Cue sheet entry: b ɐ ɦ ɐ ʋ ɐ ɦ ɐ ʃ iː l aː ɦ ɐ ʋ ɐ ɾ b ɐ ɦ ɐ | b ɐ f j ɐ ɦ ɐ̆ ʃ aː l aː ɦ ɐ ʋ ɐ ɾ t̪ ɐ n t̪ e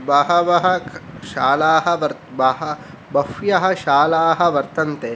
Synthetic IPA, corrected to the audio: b ɐ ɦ ɐ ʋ ɐ ɦ ɐ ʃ aː l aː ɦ ɐ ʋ ɐ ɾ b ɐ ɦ ɐ | b ɐ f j ɐ ɦ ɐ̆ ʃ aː l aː ɦ ɐ ʋ ɐ ɾ t̪ ɐ n t̪ e